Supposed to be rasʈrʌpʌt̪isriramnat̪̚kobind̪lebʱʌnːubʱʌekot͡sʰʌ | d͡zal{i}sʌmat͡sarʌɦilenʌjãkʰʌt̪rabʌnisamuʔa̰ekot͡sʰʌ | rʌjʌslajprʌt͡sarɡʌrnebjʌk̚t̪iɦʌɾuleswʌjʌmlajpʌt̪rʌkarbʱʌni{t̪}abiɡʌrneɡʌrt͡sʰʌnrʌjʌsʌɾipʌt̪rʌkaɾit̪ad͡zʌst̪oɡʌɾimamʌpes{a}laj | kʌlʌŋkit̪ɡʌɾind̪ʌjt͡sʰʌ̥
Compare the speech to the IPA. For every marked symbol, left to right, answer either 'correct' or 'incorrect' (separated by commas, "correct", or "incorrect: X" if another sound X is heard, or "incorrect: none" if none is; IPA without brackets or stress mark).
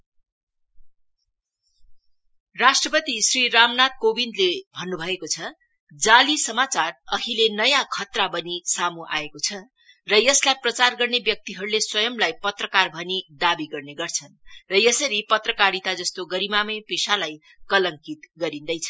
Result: correct, incorrect: d̪, correct